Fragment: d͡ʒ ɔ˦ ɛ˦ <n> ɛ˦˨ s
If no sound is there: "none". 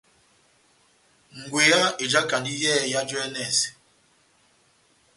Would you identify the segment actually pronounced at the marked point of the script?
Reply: n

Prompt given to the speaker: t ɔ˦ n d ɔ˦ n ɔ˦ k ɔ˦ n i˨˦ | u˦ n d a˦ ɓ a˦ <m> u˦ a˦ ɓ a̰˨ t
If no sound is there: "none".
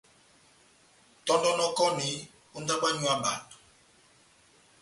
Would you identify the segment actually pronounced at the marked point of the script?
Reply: ɲ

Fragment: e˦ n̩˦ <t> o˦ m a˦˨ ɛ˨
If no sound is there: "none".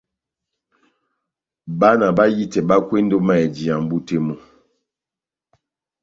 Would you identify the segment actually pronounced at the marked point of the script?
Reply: d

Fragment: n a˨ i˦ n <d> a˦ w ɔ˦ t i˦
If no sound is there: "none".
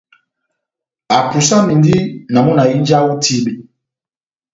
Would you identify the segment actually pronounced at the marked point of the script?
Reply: d͡ʒ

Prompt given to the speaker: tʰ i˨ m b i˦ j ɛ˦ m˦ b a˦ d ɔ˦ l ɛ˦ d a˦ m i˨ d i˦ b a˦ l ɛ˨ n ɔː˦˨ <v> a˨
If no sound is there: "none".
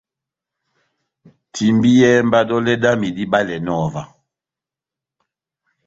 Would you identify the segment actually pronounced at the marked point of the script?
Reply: v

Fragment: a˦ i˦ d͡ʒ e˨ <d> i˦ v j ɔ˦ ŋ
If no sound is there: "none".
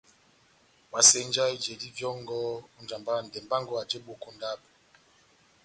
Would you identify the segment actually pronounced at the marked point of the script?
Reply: d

